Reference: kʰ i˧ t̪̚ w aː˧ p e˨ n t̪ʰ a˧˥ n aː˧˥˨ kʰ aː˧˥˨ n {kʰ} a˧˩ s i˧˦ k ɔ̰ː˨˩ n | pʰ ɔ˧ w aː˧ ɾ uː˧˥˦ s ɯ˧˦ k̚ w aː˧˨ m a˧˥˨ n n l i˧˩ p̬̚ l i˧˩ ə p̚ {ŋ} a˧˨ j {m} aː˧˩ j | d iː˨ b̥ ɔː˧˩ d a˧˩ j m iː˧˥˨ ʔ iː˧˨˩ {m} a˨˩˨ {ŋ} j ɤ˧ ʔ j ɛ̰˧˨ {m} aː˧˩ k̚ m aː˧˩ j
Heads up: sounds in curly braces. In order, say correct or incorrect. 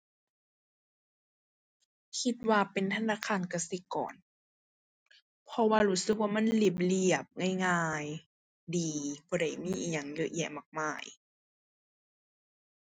incorrect, correct, incorrect, incorrect, correct, correct

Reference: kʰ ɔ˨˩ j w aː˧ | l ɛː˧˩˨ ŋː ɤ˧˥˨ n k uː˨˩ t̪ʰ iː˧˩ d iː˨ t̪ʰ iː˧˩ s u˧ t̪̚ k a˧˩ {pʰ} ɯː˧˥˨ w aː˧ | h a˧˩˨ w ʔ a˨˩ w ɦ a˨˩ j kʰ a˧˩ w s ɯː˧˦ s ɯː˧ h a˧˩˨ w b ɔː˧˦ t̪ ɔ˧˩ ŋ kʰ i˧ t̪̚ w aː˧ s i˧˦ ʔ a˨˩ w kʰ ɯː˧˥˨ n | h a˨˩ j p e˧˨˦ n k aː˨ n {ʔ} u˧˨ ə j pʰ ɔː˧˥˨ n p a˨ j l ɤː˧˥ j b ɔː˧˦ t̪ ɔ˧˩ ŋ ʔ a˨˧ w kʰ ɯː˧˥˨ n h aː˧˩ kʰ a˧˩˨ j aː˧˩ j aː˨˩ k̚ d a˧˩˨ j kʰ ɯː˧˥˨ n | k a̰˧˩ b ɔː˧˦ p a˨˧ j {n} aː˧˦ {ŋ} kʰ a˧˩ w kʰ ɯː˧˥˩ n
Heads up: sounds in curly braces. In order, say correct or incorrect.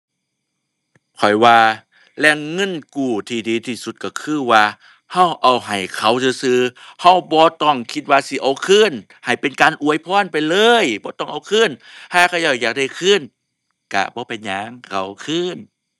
incorrect, correct, incorrect, correct

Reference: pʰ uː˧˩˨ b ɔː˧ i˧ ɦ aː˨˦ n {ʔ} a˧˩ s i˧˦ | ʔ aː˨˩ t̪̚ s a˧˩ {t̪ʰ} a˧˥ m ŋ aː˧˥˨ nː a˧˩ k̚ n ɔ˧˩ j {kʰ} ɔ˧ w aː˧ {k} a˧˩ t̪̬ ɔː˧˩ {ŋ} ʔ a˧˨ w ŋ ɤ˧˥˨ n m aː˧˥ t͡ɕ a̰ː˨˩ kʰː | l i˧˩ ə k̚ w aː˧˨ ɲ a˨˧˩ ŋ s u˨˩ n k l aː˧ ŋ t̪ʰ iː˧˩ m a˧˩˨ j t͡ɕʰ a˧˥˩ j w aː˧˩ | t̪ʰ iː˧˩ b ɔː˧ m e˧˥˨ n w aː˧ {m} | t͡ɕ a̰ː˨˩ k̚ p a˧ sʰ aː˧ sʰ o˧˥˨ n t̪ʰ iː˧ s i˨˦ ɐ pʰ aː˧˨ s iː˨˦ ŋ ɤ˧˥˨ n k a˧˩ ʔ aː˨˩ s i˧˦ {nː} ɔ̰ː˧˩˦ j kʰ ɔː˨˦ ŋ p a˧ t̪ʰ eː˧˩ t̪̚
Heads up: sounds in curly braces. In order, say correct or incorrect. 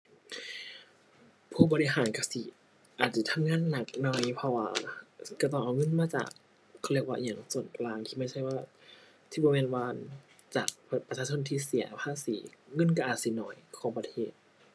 incorrect, correct, incorrect, correct, correct, incorrect, incorrect

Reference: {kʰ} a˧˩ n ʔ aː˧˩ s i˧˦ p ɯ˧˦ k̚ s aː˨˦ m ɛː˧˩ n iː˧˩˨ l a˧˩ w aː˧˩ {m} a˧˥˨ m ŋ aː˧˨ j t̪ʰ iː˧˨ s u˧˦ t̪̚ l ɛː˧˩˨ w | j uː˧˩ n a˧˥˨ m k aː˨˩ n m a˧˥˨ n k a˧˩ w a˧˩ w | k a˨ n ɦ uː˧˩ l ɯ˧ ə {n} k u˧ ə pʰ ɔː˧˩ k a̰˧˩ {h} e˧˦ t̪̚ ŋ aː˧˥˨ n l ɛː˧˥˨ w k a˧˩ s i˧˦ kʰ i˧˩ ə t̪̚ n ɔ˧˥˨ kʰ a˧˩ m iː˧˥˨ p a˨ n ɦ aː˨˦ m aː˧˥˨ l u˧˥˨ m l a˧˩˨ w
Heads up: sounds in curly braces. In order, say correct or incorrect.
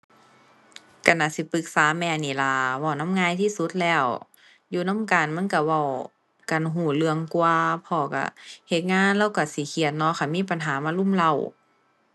incorrect, incorrect, incorrect, correct

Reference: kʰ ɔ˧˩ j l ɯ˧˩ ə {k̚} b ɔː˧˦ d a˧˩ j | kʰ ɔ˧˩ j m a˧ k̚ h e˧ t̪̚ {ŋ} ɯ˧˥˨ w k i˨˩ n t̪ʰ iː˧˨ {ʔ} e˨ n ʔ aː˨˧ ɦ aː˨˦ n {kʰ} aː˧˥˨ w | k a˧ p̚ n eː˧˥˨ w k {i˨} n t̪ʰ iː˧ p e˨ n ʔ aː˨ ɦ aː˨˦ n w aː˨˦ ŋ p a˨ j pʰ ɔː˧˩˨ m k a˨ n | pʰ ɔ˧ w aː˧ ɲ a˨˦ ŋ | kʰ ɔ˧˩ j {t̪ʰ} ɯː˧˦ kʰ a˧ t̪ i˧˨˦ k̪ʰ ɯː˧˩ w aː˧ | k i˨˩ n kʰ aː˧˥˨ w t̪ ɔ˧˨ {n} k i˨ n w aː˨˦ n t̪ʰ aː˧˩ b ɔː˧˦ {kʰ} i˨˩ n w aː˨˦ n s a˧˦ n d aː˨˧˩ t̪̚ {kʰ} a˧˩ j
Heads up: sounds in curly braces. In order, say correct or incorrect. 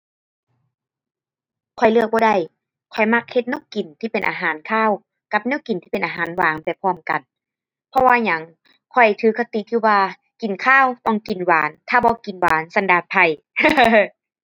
correct, incorrect, incorrect, correct, correct, correct, incorrect, incorrect, incorrect

